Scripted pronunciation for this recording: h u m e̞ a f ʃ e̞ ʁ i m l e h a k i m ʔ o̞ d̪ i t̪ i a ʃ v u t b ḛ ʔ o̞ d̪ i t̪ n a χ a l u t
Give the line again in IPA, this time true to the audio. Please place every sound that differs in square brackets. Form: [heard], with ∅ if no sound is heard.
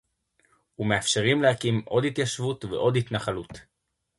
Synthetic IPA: h u m e̞ a f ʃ e̞ ʁ i m l e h a k i m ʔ o̞ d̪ i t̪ [j] a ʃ v u t [v] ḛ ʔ o̞ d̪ i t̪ n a χ a l u t

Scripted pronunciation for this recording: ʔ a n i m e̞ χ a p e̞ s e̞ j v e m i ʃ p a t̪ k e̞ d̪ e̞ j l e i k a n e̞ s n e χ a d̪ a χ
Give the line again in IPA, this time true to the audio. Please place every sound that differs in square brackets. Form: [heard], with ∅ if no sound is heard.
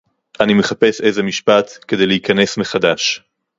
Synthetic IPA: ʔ a n i m e̞ χ a p e̞ s e̞ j [z] e m i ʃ p a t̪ k e̞ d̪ e̞ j l e i k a n e̞ s [m] e χ a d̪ a [ʃ]

